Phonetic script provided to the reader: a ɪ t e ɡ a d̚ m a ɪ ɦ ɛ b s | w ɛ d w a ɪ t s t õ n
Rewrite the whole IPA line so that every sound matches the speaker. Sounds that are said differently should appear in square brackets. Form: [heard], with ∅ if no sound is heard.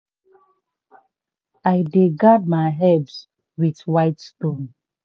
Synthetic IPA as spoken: a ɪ [d] e ɡ a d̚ m a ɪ ɦ ɛ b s | w [i] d w a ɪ t s t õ n

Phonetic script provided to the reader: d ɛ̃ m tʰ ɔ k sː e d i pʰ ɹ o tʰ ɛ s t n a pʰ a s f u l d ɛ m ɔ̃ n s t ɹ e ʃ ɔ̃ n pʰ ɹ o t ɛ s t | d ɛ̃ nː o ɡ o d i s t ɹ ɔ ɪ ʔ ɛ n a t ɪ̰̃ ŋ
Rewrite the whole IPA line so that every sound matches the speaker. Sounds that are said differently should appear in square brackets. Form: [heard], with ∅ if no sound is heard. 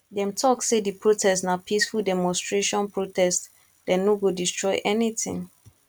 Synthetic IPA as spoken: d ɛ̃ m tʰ ɔ k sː e d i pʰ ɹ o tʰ ɛ s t n a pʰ [i] s f u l d ɛ m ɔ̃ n s t ɹ e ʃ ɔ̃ n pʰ ɹ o t ɛ s t | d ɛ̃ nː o ɡ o d i s t ɹ ɔ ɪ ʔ ɛ n [i] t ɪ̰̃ ŋ

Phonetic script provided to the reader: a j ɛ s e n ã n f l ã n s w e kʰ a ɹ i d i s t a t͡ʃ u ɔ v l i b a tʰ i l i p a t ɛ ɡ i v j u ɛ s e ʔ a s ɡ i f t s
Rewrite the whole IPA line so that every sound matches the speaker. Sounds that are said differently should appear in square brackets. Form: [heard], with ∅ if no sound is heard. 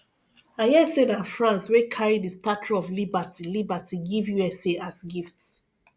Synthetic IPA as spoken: a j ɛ s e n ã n f [ɹ] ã n s w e kʰ a ɹ i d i s t a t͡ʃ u ɔ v l i b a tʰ i l i [b] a t [i] ɡ i v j u ɛ s e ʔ a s ɡ i f t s

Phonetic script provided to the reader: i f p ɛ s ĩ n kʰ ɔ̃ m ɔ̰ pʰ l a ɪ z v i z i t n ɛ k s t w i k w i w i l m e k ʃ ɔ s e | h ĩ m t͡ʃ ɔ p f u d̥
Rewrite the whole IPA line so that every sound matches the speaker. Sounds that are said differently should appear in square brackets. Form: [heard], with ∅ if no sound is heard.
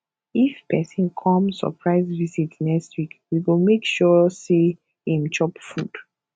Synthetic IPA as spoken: i f p ɛ s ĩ n kʰ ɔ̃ m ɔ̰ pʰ [ɹ] a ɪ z v i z i t n ɛ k s t w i k w i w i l m e k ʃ ɔ s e | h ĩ m t͡ʃ ɔ p f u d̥

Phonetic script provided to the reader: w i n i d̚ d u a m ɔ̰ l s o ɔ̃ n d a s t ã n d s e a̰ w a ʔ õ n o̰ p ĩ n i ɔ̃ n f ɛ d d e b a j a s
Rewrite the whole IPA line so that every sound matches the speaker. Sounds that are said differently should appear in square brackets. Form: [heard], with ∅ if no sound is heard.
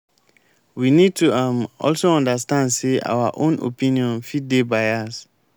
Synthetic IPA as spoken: w i n i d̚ [t] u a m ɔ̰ l s o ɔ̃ n d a s t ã n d s e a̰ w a ʔ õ n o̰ p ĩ n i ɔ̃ n f [i] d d e b a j a s

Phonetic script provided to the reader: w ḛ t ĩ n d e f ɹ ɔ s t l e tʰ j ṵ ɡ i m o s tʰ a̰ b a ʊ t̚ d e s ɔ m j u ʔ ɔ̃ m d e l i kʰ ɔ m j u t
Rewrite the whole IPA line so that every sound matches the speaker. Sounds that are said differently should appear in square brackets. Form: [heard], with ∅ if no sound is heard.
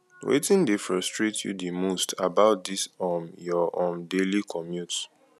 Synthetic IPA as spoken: w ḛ t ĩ n d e f ɹ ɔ s t [ɹ] e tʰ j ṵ [d] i m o s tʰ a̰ b a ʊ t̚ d [i] s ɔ m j [ɔ] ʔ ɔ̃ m d e l i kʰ ɔ m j u t

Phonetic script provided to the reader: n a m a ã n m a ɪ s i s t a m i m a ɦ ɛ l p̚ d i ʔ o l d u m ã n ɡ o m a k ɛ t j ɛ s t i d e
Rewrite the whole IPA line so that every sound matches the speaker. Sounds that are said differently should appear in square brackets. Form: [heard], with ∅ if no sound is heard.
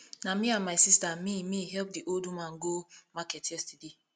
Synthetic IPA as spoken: n a m [i] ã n m a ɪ s i s t a m i m [i] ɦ ɛ l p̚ d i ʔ o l d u m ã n ɡ o m a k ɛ t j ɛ s t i d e

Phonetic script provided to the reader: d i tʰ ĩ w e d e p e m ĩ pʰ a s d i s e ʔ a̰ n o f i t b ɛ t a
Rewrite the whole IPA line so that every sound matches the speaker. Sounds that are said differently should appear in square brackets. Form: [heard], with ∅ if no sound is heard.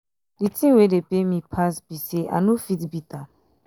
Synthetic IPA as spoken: d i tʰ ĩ w e d e p e m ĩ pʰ a s [b] i s e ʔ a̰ n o f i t b [i] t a

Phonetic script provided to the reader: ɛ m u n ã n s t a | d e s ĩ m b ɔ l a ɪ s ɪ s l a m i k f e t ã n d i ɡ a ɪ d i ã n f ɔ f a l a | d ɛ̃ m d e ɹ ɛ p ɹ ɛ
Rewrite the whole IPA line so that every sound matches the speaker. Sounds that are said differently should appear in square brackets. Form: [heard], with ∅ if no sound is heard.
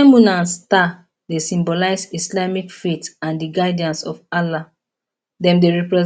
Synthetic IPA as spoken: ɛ m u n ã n s t a | d e s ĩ m b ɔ l a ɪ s [i] s l a m i k f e t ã n d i ɡ a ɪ d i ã n [s] ɔ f a l a | d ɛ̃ m d e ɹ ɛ p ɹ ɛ

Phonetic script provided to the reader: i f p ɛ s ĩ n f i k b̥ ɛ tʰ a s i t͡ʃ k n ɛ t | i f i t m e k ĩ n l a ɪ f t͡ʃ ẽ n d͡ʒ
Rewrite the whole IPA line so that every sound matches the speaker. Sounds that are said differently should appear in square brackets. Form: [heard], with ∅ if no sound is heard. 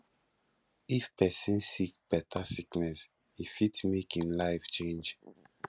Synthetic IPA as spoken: i f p ɛ s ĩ n [s] i k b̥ ɛ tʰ a s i [∅] k n ɛ [s] | i f i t m e k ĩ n l a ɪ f t͡ʃ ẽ n d͡ʒ

